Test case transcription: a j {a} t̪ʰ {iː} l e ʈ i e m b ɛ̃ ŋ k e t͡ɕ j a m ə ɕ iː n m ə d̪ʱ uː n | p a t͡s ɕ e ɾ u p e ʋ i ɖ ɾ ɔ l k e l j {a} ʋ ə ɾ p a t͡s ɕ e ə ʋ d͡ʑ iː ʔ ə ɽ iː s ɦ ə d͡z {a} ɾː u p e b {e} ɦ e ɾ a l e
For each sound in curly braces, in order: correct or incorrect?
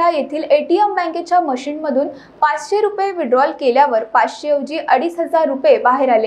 incorrect: e, correct, correct, correct, incorrect: a

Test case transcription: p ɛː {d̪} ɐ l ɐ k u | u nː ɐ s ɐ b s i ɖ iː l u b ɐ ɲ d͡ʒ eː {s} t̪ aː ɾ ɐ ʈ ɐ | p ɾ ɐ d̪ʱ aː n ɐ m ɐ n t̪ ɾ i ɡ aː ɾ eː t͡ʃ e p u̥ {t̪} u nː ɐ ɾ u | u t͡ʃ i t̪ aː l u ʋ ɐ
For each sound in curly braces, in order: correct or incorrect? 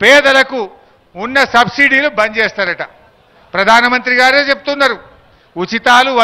correct, correct, correct

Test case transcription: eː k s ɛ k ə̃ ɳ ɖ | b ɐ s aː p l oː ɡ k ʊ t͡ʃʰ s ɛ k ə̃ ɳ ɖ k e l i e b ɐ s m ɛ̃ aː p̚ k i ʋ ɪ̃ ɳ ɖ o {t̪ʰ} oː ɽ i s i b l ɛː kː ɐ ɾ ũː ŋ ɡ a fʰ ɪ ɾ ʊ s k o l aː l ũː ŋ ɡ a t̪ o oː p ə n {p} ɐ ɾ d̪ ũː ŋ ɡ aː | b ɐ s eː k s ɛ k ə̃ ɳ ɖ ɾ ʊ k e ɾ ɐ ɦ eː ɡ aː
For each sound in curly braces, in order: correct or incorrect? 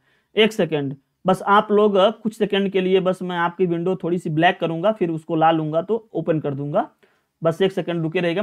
correct, incorrect: k

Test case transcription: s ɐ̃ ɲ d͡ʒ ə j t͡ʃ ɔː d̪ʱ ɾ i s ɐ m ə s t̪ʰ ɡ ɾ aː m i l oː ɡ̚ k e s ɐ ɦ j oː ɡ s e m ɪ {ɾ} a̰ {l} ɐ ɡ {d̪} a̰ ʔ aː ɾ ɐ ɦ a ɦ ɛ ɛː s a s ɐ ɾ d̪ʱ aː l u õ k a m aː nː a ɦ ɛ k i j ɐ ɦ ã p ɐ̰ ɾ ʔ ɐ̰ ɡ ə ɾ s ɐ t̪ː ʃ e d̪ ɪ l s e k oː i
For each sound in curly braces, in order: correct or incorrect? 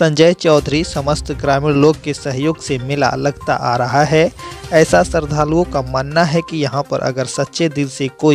incorrect: l, correct, incorrect: t̪

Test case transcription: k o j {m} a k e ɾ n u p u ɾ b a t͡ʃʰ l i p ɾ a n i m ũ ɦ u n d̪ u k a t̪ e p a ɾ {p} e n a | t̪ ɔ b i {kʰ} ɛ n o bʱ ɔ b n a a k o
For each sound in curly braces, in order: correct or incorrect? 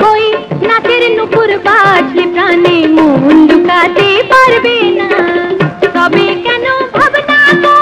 incorrect: n, incorrect: b, incorrect: k

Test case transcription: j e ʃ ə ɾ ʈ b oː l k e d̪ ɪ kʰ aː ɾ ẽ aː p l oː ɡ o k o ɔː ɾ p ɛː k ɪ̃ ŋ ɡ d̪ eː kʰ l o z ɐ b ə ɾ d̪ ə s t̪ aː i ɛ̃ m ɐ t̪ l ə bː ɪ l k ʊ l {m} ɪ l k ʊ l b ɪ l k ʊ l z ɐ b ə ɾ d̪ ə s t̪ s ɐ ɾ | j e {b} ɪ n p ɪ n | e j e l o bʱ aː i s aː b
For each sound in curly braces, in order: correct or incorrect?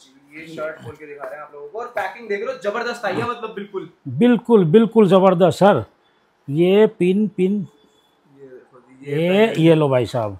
incorrect: b, incorrect: p

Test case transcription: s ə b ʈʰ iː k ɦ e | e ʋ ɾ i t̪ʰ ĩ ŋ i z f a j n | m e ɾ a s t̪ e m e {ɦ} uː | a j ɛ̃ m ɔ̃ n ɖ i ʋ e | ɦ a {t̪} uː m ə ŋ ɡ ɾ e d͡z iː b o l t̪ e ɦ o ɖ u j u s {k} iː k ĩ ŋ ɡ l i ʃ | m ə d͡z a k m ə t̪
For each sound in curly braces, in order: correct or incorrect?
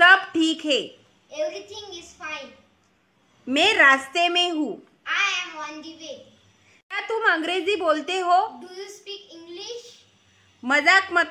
correct, correct, incorrect: p

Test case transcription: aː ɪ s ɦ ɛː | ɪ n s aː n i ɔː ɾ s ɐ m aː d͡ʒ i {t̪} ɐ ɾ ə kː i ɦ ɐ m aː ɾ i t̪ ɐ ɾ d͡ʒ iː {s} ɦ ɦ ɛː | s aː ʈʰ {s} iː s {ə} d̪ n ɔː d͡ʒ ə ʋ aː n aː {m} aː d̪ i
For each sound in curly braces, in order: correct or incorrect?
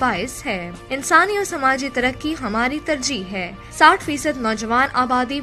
correct, incorrect: none, incorrect: f, correct, incorrect: b

